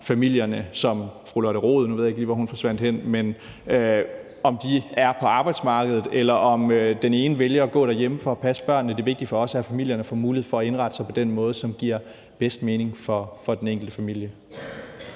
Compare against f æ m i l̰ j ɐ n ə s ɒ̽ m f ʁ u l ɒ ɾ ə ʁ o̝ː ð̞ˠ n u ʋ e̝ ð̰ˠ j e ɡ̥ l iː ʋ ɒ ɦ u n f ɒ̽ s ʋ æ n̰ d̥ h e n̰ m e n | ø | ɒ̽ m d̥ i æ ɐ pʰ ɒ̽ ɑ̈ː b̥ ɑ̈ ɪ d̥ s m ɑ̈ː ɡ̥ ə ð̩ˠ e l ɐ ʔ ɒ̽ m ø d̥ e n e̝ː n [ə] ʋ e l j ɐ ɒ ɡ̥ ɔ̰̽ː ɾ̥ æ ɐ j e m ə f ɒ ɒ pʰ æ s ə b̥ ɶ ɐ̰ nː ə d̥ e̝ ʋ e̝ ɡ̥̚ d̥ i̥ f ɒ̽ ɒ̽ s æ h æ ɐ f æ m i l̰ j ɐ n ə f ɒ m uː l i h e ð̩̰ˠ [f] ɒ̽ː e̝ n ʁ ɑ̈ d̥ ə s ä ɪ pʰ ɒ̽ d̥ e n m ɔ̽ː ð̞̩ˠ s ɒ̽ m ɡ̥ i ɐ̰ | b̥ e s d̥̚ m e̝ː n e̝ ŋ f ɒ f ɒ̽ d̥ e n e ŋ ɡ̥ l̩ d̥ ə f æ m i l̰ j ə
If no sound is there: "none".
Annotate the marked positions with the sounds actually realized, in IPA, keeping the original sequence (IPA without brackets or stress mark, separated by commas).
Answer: ə, f